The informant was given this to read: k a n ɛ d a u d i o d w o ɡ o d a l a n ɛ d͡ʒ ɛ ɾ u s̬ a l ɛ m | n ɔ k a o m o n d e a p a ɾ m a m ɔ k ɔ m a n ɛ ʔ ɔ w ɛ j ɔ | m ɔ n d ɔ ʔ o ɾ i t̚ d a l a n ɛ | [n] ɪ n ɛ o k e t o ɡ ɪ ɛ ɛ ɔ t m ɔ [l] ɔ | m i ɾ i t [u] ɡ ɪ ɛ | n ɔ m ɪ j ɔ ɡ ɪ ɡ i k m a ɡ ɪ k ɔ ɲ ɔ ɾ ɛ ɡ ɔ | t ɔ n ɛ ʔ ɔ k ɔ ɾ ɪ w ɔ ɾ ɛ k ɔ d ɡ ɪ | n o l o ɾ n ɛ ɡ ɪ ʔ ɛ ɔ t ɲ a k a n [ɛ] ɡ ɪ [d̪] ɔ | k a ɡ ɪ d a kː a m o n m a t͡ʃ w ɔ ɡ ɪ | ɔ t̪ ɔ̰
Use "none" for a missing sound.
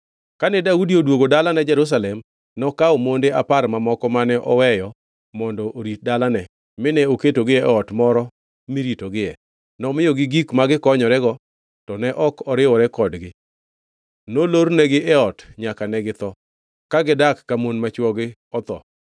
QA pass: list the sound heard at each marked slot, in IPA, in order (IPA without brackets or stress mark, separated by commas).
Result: m, ɾ, o, ɛ, t̪